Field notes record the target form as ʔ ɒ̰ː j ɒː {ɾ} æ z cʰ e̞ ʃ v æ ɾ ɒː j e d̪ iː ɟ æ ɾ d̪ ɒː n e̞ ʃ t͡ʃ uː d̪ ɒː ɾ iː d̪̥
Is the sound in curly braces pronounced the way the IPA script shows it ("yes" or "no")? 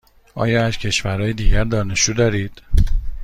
no